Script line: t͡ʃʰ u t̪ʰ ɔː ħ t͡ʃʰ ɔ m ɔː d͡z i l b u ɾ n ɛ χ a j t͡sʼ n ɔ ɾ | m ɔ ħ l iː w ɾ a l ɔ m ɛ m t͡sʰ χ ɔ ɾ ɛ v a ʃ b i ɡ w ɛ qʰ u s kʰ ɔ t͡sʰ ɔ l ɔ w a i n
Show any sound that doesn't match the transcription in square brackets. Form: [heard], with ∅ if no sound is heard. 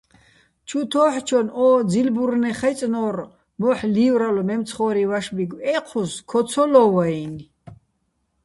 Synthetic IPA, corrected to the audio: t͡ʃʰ u t̪ʰ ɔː ħ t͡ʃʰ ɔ [n] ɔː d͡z i l b u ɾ n ɛ χ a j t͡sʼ n ɔ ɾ | m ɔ ħ l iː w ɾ a l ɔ m ɛ m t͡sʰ χ ɔ ɾ [i] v a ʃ b i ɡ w ɛ qʰ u s kʰ ɔ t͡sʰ ɔ l ɔ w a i n